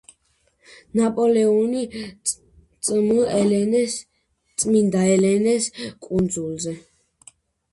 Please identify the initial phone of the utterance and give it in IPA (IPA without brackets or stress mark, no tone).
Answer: n